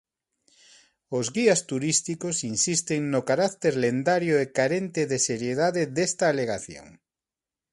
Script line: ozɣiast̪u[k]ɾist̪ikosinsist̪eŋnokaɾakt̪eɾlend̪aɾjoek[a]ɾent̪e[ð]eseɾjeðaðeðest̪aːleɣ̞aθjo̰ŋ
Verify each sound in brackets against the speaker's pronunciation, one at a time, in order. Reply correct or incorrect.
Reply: incorrect, correct, correct

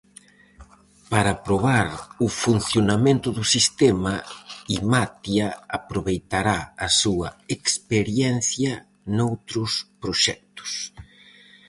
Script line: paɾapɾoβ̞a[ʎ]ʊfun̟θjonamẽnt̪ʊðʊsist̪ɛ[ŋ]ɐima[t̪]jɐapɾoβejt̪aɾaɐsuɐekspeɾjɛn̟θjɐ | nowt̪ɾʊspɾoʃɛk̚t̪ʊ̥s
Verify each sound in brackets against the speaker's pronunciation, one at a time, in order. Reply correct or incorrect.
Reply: incorrect, incorrect, correct

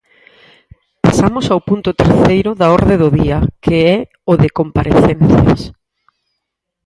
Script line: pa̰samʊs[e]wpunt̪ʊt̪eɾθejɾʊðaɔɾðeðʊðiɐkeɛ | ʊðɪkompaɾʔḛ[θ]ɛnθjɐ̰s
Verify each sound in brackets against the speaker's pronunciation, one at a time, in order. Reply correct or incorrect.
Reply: incorrect, correct

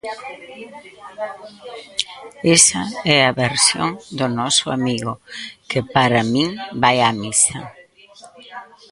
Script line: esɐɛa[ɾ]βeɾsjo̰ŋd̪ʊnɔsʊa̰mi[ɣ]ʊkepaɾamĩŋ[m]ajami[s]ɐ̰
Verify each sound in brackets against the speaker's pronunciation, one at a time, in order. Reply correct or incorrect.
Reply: incorrect, correct, incorrect, correct

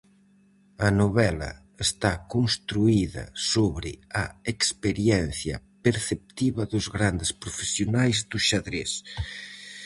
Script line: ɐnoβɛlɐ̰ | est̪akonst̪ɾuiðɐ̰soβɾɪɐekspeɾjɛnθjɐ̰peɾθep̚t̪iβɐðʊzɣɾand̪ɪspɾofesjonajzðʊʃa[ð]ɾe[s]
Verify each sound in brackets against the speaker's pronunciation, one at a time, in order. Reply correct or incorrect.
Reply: correct, correct

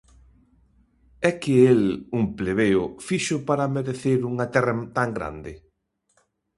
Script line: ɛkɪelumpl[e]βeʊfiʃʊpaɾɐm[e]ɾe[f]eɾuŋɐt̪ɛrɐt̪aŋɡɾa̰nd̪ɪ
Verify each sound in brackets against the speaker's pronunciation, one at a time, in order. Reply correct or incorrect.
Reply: correct, correct, incorrect

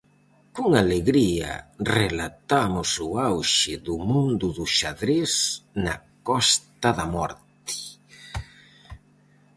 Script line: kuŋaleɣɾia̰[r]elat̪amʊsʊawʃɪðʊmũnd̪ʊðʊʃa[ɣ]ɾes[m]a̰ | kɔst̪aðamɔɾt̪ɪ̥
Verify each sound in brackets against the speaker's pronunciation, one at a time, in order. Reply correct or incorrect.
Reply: correct, incorrect, incorrect

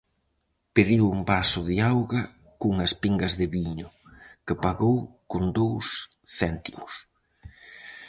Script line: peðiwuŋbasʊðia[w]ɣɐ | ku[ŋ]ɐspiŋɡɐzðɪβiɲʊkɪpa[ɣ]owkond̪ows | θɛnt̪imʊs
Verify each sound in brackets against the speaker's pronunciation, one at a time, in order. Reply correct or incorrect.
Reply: correct, correct, correct

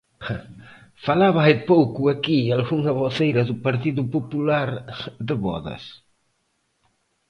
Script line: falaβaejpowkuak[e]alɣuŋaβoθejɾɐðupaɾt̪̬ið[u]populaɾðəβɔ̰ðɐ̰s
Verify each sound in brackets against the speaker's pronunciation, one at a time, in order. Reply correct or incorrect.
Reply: incorrect, correct

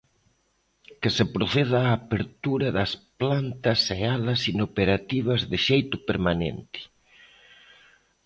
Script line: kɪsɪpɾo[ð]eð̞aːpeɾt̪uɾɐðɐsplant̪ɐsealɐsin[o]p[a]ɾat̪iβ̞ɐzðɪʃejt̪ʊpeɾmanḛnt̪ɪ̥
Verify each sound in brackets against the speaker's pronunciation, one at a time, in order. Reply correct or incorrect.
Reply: incorrect, correct, incorrect

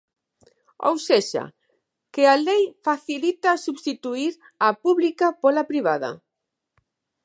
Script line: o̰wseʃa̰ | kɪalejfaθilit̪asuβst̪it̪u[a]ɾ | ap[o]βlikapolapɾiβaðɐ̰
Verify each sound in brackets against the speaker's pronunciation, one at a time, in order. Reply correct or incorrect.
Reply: incorrect, incorrect

